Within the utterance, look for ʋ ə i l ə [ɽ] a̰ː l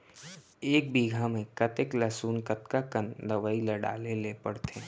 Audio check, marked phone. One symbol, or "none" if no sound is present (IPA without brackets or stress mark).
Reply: ɽ